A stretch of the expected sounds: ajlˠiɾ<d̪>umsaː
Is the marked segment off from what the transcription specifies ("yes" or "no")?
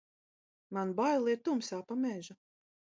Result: yes